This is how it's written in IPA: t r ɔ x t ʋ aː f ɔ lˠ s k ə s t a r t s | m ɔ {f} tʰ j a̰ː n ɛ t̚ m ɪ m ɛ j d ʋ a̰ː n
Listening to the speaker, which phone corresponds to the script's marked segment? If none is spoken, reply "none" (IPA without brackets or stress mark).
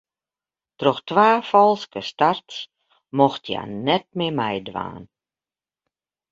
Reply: x